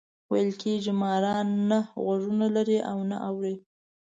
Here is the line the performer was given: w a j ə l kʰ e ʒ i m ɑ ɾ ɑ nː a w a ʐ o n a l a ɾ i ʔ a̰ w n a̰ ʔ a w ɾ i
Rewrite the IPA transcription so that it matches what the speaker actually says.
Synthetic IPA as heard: w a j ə l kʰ e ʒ i m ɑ ɾ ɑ nː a ɣ a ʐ u n a l a ɾ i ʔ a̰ w n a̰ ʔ a w ɾ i